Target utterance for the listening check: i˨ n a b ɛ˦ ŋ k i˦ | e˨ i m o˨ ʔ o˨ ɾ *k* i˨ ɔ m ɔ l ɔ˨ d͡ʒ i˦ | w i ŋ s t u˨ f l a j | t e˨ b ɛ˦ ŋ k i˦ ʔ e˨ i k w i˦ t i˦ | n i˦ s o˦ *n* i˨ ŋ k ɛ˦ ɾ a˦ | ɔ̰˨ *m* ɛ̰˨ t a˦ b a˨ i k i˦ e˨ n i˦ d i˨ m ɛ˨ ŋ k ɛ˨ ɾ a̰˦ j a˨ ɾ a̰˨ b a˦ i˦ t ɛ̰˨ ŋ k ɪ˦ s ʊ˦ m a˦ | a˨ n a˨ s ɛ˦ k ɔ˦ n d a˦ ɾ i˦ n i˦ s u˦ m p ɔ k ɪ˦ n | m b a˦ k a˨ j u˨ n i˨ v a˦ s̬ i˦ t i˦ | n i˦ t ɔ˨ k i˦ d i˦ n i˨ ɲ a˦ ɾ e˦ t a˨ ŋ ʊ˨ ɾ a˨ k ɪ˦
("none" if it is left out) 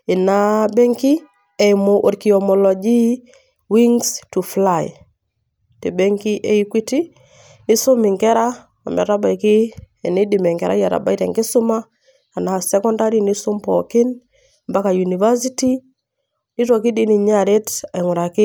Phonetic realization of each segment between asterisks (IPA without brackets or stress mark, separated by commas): k, m, m